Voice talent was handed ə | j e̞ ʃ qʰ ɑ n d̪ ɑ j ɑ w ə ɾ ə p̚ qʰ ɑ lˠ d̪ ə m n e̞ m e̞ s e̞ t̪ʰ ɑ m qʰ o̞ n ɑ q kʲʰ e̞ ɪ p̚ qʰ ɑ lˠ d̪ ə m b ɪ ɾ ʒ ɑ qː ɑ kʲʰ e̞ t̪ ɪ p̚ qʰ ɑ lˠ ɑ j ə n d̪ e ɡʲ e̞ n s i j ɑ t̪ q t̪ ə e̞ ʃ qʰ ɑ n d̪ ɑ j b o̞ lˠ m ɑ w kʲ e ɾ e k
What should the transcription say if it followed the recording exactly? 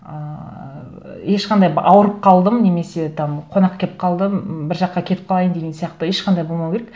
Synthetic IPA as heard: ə | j e̞ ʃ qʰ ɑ n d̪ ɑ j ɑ w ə ɾ ə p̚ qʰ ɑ lˠ d̪ ə m n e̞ m e̞ s e̞ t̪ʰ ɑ m qʰ o̞ n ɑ q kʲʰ e̞ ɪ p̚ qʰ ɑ lˠ d̪ ə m b ɪ ɾ ʒ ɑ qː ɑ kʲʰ e̞ t̪ ɪ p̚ qʰ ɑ lˠ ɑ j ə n d̪ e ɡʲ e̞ n s i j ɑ q t̪ ə e̞ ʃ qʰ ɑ n d̪ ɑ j b o̞ lˠ m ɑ w kʲ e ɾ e k